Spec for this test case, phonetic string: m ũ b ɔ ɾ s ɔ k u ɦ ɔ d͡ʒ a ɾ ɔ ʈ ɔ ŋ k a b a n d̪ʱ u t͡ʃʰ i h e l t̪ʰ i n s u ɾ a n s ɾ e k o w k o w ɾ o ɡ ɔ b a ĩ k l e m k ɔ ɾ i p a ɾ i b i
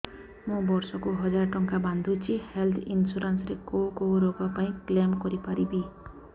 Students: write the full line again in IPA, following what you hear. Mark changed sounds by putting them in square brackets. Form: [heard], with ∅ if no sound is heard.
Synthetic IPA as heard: m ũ b ɔ ɾ s ɔ k u ɦ ɔ d͡ʒ a ɾ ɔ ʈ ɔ ŋ k a b a n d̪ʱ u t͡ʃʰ i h e l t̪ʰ i n s u ɾ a n s ɾ e k o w k o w ɾ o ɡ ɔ [p] a ĩ k l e m k ɔ ɾ i p a ɾ i b i